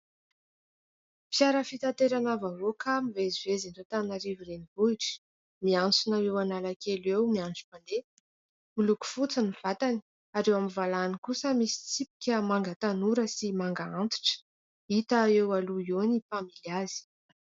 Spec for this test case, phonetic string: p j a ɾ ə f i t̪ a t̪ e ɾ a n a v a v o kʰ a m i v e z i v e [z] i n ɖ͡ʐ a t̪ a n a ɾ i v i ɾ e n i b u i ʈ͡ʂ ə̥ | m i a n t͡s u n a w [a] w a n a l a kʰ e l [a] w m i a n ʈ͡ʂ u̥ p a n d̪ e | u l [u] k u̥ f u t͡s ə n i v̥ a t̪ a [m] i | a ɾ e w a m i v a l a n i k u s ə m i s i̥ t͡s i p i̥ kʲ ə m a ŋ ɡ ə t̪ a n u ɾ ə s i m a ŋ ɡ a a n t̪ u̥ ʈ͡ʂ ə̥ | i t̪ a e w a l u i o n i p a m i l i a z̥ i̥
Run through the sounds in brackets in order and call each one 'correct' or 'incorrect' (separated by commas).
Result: correct, incorrect, incorrect, correct, incorrect